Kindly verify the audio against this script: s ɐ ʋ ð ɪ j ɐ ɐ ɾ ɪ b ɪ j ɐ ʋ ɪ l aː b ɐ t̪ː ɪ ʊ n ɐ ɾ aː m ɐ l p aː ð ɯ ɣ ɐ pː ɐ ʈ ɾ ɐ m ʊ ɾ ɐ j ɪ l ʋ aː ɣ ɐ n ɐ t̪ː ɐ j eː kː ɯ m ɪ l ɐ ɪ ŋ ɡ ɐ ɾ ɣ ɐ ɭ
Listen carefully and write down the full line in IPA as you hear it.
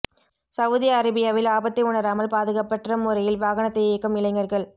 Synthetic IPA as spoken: s ɐ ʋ ð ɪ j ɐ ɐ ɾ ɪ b ɪ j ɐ ʋ ɪ l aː b ɐ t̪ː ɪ ʊ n ɐ ɾ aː m ɐ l p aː ð ɯ ɣ ɐ pː ɐ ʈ r ɐ m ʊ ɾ ɐ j ɪ l ʋ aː ɣ ɐ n ɐ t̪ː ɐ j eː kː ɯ m ɪ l ɐ ɪ ŋ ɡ ɐ ɾ ɣ ɐ ɭ

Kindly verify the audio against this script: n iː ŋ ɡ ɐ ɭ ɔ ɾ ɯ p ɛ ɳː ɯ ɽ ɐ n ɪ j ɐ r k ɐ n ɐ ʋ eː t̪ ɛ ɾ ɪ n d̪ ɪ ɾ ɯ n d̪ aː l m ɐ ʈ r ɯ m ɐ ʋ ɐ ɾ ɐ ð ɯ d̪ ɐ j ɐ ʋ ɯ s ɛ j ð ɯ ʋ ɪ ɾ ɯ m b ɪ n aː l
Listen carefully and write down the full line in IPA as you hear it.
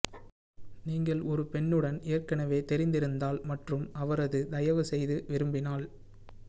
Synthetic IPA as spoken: n iː ŋ ɡ ɐ ɭ ɔ ɾ ɯ p ɛ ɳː ɯ ɽ ɐ n ɪ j ɐ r k ɐ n ɐ ʋ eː t̪ ɛ ɾ ɪ n d̪ ɪ ɾ ɯ n d̪ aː l m ɐ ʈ r ɯ m ɐ ʋ ɐ ɾ ɐ ð ɯ d̪ ɐ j ɐ ʋ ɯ s ɛ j ð ɯ ʋ ɪ ɾ ɯ m b ɪ n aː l

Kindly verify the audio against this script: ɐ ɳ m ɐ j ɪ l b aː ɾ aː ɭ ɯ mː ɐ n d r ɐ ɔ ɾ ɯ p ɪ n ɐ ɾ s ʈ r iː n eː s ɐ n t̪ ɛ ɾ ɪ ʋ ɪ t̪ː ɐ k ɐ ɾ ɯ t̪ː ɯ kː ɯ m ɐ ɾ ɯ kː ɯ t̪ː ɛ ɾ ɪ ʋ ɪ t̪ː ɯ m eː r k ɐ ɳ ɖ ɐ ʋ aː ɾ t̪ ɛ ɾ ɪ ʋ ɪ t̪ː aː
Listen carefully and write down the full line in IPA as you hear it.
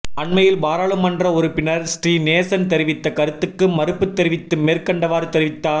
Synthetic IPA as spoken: ɐ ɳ m ɐ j ɪ l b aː ɾ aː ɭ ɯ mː ɐ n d r ɐ ɔ ɾ ɯ p ɪ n ɐ ɾ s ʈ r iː n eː s ɐ n t̪ ɛ ɾ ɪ ʋ ɪ t̪ː ɐ k ɐ ɾ ɯ t̪ː ɯ kː ɯ m ɐ ɾ ɯ pː ɯ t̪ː ɛ ɾ ɪ ʋ ɪ t̪ː ɯ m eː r k ɐ ɳ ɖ ɐ ʋ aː ɾ t̪ ɛ ɾ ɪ ʋ ɪ t̪ː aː

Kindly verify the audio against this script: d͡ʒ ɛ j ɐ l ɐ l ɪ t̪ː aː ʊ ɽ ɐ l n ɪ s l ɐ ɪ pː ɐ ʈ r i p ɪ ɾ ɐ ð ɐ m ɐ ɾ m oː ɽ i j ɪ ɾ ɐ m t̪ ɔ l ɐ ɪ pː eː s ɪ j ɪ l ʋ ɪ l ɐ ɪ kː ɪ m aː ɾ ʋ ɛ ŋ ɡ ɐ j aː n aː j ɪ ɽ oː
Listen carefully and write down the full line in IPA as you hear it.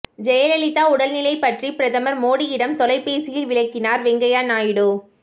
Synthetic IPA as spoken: d͡ʒ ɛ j ɐ l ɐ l ɪ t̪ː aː ʊ ɽ ɐ l n ɪ l ɐ ɪ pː ɐ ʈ r i p ɪ ɾ ɐ ð ɐ m ɐ ɾ m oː ɽ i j ɪ ɽ ɐ m t̪ ɔ l ɐ ɪ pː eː s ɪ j ɪ l ʋ ɪ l ɐ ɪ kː ɪ n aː ɾ ʋ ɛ ŋ ɡ ɐ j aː n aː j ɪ ɽ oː

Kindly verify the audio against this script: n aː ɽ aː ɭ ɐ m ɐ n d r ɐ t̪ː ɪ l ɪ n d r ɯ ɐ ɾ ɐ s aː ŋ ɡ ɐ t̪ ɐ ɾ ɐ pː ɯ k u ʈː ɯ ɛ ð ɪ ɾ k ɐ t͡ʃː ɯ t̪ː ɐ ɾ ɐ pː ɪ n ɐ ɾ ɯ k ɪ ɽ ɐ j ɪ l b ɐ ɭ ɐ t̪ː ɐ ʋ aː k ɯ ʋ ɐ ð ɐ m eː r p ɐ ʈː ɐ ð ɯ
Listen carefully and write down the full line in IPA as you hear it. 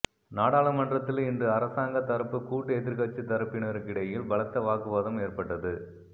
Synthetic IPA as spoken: n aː ɽ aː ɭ ɐ m ɐ n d r ɐ t̪ː ɪ l ɪ n d r ɯ ɐ ɾ ɐ s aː ŋ ɡ ɐ t̪ ɐ ɾ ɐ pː ɯ k uː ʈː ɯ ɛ ð ɪ ɾ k ɐ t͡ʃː ɯ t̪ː ɐ ɾ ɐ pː ɪ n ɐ ɾ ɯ k ɪ ɽ ɐ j ɪ l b ɐ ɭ ɐ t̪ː ɐ ʋ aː k ɯ ʋ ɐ ð ɐ m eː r p ɐ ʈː ɐ ð ɯ

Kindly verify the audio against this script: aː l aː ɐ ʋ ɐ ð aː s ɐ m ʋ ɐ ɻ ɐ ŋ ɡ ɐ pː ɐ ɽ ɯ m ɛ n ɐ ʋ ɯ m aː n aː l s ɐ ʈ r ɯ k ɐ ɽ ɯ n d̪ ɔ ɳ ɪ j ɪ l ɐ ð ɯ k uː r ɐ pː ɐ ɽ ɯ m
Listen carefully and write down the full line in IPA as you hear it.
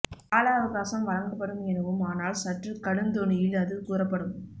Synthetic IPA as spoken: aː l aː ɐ ʋ ɐ ɣ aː s ɐ m ʋ ɐ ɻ ɐ ŋ ɡ ɐ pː ɐ ɽ ɯ m ɛ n ɐ ʋ ɯ m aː n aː l s ɐ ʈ r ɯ k ɐ ɽ ɯ n d̪ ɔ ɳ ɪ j ɪ l ɐ ð ɯ k uː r ɐ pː ɐ ɽ ɯ m

